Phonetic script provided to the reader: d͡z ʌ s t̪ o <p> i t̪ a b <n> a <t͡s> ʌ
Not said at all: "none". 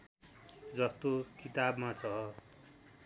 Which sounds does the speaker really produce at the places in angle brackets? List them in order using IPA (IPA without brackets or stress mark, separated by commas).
k, m, t͡sʰ